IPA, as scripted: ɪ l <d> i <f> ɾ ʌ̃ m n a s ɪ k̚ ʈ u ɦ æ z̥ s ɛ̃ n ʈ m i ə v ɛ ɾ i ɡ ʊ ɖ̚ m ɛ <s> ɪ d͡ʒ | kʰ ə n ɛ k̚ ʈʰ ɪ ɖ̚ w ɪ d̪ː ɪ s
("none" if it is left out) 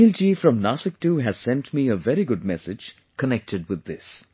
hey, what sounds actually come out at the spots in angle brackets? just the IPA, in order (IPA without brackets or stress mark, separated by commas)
d͡ʒ, f, s